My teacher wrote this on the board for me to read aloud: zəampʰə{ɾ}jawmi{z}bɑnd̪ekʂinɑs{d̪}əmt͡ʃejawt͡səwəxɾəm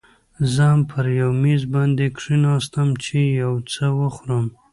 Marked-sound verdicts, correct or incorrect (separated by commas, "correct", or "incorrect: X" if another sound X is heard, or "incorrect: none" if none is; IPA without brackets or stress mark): correct, correct, incorrect: t̪